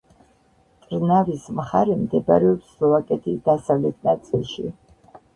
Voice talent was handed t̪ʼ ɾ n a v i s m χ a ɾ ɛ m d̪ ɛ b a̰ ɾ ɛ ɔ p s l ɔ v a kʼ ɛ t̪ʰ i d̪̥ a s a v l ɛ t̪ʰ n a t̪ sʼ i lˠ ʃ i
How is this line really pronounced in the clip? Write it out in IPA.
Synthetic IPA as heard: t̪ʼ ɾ n a v i s m χ a ɾ ɛ m d̪ ɛ b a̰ ɾ ɛ ɔ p s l ɔ v a kʼ ɛ t̪ʰ i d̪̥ a s a v l ɛ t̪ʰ n a t̪ sʼ i lˠ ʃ i